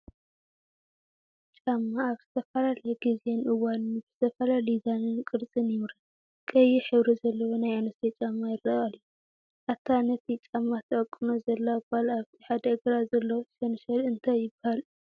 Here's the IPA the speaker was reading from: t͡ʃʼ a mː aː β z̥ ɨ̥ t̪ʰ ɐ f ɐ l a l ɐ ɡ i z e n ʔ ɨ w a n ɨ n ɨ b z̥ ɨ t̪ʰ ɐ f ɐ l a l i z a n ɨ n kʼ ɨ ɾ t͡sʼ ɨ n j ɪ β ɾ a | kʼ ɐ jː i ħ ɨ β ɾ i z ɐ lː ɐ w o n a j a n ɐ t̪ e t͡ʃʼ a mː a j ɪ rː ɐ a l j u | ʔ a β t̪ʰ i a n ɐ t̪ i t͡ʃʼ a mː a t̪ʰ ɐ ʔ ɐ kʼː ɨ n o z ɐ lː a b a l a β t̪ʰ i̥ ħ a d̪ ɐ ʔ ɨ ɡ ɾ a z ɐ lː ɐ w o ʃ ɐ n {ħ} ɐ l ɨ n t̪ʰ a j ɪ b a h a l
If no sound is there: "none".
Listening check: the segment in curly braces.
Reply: ʃ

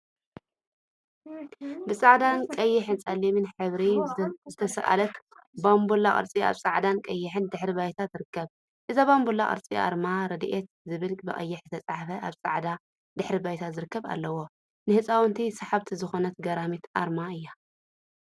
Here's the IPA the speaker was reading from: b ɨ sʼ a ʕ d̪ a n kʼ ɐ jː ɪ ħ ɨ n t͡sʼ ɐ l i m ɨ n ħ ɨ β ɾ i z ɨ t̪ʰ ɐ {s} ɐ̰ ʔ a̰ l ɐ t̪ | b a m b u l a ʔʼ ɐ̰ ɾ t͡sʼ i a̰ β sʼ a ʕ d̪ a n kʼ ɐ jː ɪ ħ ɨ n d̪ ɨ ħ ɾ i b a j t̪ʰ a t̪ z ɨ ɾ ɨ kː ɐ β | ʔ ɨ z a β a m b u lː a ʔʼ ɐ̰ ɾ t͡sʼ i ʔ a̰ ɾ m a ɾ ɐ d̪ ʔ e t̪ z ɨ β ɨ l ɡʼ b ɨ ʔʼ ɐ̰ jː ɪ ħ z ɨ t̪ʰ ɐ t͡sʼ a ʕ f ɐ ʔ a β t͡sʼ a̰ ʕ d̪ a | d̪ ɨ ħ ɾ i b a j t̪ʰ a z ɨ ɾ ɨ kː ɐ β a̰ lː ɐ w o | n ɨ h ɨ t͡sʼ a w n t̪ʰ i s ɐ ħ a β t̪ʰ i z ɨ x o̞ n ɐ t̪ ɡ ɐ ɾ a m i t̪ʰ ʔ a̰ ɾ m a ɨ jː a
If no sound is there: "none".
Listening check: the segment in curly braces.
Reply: s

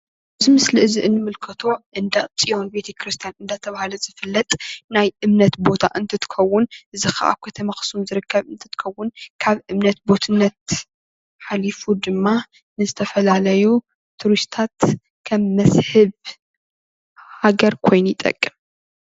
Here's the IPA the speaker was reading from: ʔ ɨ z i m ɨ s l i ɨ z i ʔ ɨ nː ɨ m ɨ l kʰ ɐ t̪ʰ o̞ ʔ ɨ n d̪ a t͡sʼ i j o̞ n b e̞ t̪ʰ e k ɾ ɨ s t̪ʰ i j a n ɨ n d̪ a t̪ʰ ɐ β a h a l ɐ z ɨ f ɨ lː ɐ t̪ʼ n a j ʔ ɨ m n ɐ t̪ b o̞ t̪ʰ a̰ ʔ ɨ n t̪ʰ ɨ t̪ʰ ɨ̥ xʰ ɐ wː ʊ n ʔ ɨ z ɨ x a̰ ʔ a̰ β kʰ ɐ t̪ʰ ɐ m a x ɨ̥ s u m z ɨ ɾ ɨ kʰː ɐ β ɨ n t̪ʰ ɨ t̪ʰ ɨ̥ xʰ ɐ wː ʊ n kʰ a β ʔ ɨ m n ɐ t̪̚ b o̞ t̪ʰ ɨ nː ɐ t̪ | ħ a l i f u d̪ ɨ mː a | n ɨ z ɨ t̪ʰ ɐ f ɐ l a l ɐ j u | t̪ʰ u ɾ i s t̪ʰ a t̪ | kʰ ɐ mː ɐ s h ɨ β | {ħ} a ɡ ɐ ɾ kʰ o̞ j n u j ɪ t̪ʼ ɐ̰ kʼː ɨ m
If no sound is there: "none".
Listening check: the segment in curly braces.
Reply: h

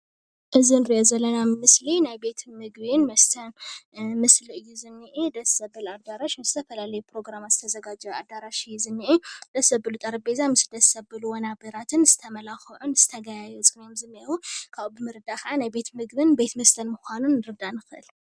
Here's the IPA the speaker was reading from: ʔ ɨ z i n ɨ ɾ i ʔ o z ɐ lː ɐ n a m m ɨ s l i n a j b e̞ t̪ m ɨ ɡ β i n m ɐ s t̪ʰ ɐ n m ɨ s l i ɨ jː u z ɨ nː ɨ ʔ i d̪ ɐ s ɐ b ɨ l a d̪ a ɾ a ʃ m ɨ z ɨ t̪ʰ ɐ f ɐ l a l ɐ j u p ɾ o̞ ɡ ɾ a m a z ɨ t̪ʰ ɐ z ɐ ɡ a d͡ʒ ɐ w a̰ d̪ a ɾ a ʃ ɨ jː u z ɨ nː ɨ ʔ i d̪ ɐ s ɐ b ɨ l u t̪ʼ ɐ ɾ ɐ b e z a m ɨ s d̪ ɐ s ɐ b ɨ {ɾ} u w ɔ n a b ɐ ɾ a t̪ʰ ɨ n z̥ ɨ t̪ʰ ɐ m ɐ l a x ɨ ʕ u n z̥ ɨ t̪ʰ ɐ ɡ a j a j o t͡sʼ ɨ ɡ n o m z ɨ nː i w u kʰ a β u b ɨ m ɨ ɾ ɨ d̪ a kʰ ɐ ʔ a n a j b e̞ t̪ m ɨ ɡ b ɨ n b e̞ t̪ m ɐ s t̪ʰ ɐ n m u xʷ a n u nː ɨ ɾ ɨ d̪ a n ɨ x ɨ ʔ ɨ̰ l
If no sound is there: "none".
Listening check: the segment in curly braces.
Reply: l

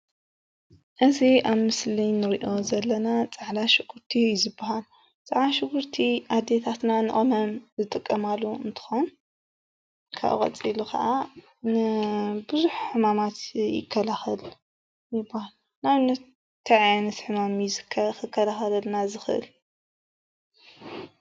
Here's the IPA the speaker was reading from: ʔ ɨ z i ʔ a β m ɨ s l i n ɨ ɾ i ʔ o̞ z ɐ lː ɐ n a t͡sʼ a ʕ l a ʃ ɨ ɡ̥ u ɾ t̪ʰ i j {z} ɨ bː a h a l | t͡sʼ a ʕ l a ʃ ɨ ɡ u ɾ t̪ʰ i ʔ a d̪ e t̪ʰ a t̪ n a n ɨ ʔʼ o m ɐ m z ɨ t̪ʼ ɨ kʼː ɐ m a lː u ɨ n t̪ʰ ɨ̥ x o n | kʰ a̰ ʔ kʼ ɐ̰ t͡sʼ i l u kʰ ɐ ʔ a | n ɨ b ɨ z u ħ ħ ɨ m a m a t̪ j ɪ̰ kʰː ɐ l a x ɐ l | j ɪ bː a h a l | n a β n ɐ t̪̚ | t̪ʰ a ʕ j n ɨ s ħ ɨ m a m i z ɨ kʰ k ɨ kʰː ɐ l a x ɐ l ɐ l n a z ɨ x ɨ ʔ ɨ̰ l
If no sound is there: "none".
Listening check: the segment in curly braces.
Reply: z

